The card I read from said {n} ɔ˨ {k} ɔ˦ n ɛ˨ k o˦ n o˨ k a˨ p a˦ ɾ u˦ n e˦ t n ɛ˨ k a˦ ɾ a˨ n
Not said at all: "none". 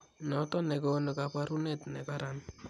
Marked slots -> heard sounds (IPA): n, t

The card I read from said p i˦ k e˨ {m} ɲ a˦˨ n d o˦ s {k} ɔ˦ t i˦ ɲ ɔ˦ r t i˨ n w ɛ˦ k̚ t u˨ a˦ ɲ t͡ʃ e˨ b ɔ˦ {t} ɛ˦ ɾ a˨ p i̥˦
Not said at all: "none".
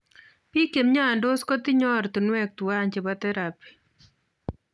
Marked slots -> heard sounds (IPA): m, k, t

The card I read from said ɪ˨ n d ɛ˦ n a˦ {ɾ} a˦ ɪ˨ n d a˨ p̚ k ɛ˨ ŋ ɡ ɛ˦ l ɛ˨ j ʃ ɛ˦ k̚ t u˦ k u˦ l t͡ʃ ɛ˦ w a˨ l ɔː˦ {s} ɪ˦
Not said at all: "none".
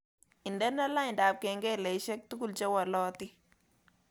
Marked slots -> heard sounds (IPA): l, t

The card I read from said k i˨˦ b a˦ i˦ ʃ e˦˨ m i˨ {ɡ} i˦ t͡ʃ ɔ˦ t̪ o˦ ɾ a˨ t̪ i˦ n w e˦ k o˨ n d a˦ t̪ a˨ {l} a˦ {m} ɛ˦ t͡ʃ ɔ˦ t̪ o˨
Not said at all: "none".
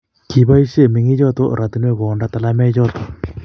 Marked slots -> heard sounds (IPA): ŋ, l, m

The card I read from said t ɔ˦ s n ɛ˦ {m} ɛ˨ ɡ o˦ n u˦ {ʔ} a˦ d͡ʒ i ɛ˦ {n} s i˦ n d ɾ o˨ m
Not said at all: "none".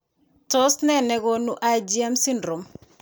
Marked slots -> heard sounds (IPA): n, ʔ, m

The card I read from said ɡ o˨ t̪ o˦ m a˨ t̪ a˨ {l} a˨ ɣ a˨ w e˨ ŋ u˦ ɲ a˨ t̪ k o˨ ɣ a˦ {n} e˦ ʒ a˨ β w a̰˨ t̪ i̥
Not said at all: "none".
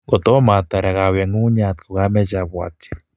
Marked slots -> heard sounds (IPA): ɾ, m

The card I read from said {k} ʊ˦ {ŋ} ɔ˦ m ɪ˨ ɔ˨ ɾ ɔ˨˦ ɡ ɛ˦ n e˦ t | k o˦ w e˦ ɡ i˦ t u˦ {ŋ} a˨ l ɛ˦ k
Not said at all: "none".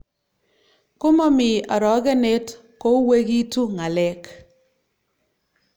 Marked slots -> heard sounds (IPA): k, m, ŋ

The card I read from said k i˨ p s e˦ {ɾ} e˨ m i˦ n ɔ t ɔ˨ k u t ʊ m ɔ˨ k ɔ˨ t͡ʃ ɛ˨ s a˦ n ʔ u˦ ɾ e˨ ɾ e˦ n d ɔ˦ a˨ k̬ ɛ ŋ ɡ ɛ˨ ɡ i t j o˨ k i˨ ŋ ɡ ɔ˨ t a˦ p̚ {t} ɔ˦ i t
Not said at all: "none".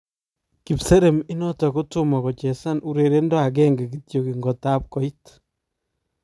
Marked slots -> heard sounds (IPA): ɾ, k

